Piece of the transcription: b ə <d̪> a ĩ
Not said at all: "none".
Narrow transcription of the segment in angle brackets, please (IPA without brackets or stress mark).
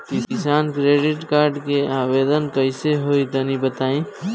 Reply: t̪